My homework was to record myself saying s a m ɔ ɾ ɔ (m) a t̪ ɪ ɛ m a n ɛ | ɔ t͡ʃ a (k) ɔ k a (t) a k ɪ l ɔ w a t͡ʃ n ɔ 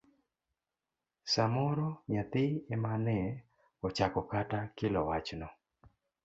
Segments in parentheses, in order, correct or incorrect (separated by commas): incorrect, correct, correct